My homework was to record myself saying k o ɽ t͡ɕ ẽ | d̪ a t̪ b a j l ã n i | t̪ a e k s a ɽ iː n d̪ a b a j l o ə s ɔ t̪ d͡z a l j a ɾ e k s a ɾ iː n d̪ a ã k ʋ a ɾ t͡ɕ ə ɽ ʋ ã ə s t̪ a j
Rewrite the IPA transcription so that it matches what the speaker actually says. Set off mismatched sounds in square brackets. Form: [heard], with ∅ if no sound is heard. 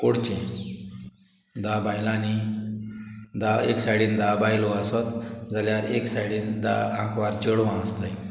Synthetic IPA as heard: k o ɽ t͡ɕ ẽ | d̪ a [∅] b a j l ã n i | [d̪] a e k s a ɽ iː n d̪ a b a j l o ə s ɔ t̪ d͡z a l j a ɾ e k s a [ɽ] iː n d̪ a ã k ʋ a ɾ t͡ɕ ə ɽ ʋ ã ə s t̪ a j